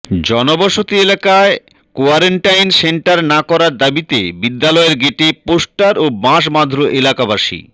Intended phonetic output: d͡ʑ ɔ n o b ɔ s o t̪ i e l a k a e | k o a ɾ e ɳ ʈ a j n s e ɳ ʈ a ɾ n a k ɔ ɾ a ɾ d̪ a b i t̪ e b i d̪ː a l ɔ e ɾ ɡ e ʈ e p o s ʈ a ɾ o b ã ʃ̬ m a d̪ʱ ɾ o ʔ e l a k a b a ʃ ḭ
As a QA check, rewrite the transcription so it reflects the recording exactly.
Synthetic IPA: d͡ʑ ɔ n o b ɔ ʃ o t̪ i e l a k a e | k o a ɾ e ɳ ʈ a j n s e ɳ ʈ a ɾ n a k ɔ ɾ a ɾ d̪ a b i t̪ e b i d̪ː a l ɔ e ɾ ɡ e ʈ e p o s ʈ a ɾ o b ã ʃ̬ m a d̪ʱ ɾ o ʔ e l a k a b a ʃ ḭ